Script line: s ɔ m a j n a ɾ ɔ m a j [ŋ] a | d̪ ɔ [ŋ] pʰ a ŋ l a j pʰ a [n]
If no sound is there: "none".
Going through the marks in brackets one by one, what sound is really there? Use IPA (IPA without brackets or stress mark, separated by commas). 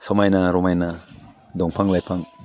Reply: n, ŋ, ŋ